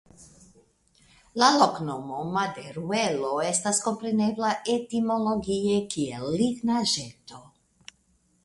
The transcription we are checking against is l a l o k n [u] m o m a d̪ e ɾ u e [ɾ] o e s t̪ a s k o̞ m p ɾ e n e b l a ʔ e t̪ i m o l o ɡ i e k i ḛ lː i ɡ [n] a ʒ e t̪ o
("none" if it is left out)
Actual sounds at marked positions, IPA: o, l, n

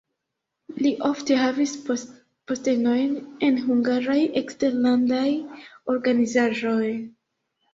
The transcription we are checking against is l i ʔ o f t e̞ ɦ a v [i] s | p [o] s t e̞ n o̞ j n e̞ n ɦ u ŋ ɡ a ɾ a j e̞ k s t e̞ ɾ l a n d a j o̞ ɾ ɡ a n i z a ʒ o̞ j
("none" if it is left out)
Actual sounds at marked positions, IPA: i, o

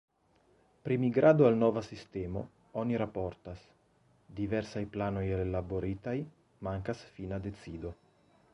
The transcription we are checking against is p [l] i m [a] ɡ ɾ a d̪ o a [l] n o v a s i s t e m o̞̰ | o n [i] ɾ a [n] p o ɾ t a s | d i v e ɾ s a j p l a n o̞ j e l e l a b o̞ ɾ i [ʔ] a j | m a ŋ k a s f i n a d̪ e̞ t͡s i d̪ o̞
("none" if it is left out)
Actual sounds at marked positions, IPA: ɾ, i, l, i, none, t

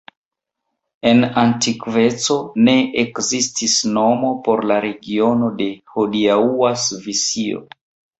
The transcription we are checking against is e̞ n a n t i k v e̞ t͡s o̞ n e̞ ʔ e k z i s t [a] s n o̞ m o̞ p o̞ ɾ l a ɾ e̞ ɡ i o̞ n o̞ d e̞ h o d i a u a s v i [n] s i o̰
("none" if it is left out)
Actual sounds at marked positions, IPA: i, none

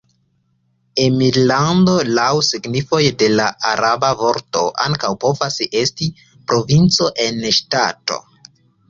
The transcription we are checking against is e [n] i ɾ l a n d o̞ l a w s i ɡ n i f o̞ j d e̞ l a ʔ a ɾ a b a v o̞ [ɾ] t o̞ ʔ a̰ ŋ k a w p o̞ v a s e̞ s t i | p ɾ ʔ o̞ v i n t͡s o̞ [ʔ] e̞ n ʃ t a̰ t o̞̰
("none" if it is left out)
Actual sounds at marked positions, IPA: m, ɾ, ʔ

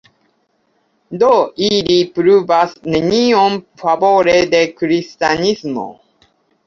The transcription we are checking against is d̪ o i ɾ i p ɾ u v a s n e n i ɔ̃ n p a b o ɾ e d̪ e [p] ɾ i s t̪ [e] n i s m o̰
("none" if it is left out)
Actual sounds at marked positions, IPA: k, a

